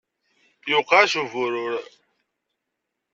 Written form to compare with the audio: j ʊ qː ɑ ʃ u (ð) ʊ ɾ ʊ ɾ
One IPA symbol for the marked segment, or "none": v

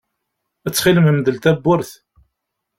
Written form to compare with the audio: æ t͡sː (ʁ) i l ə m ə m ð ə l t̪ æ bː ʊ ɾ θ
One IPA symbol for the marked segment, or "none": χ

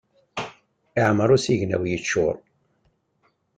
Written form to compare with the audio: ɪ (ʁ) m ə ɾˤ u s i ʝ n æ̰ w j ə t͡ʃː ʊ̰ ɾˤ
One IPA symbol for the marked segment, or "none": ʕ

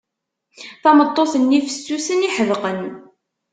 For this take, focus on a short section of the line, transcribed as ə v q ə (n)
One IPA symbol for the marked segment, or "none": n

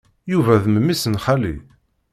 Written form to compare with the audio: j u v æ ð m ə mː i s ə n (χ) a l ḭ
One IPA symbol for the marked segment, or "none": χ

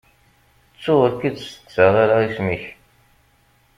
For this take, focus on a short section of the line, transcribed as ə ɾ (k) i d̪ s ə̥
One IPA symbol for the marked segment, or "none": k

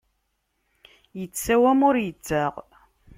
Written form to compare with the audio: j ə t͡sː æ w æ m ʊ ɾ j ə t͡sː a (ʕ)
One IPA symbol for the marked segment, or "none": ʁ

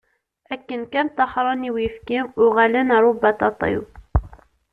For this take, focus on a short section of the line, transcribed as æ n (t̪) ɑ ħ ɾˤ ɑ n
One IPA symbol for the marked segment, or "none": t̪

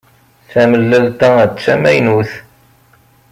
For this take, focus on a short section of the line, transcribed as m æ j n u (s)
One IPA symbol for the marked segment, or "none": θ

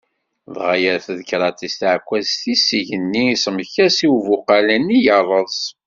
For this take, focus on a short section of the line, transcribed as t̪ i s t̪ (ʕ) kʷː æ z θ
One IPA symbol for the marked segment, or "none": ʕ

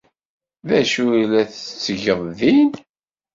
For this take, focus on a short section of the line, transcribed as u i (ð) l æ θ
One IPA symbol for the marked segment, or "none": none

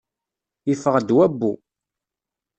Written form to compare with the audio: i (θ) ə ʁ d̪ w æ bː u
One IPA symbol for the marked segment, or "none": f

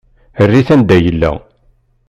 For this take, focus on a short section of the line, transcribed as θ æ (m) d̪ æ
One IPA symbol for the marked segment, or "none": n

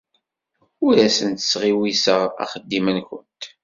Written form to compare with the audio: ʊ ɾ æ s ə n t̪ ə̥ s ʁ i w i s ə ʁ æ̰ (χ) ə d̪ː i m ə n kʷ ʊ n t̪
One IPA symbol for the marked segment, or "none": χ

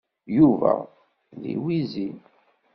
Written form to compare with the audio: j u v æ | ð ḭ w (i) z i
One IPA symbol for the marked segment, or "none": i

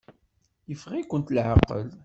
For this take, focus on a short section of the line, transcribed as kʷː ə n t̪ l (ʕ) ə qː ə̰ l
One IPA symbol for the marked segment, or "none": ʕ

